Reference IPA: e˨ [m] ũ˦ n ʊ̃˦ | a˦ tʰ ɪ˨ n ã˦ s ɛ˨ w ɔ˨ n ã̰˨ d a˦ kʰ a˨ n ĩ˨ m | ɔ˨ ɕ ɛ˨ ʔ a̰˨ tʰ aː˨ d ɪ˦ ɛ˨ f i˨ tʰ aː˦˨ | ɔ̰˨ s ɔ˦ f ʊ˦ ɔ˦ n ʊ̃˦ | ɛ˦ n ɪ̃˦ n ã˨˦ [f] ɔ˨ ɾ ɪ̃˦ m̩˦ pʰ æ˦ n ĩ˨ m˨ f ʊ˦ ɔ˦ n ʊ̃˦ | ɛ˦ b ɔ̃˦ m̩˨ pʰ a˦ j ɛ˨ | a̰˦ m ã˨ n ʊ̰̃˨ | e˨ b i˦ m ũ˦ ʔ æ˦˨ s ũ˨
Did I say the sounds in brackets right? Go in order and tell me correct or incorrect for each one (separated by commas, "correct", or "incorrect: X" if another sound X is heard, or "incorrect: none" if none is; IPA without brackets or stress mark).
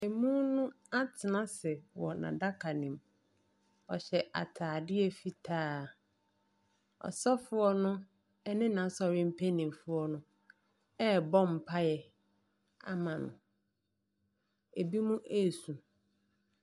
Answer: correct, incorrect: s